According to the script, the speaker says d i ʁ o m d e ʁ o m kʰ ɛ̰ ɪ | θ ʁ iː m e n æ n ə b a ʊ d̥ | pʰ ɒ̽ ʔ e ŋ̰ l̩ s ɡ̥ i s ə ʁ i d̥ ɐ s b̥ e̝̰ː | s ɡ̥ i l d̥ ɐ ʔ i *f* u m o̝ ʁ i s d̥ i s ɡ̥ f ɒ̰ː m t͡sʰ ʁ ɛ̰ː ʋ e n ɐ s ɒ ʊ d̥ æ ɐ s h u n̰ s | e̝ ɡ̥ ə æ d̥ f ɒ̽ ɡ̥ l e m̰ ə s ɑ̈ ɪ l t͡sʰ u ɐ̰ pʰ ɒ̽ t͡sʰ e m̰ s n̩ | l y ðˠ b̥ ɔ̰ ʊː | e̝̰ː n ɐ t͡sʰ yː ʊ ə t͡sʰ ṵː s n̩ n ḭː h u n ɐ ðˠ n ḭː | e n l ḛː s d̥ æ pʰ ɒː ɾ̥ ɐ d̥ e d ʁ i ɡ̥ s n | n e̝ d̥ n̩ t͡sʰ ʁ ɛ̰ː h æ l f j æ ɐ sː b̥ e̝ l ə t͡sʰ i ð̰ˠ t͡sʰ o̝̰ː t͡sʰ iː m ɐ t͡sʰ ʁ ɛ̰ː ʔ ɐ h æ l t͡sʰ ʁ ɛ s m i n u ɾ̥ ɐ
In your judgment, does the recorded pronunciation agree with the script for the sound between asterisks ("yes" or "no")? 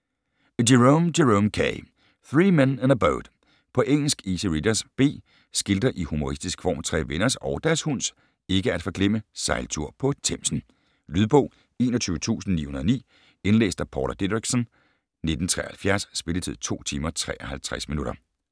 no